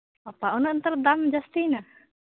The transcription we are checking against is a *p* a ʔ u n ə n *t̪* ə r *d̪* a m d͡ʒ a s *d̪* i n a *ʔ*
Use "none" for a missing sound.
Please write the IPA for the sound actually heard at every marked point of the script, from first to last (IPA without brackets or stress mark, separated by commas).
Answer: p, t̪, d̪, t̪, none